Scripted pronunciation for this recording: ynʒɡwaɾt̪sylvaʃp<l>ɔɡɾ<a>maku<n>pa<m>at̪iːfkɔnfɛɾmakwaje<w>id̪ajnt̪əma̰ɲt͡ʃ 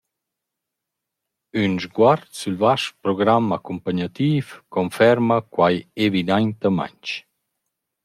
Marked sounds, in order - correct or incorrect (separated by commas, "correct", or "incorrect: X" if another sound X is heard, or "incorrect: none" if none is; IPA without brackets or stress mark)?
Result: incorrect: ɾ, correct, incorrect: m, incorrect: ɲ, incorrect: v